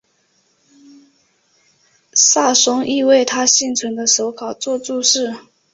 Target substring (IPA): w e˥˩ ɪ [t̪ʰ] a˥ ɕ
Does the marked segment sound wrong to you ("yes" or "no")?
no